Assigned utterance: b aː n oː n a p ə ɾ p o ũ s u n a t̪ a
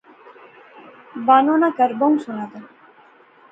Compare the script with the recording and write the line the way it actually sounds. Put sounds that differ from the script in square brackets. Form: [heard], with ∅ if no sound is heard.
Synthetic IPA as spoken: b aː n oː n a [k] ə ɾ [b] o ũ s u n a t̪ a